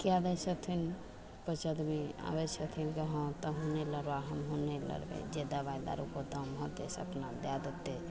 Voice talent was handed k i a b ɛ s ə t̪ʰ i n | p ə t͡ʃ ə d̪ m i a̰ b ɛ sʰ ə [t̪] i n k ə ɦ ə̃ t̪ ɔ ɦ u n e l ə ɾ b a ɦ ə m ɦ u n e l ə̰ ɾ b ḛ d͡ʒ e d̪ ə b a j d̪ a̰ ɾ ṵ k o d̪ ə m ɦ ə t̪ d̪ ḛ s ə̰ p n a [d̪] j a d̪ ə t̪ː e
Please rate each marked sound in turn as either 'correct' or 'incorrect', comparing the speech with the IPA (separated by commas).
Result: incorrect, correct